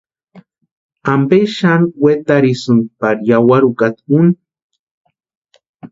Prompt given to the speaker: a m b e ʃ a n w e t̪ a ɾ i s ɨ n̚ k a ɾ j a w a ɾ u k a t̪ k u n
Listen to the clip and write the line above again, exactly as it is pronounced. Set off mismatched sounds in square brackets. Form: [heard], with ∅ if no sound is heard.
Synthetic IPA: a m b e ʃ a n w e t̪ a ɾ i s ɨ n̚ [p] a ɾ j a w a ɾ u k a t̪ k u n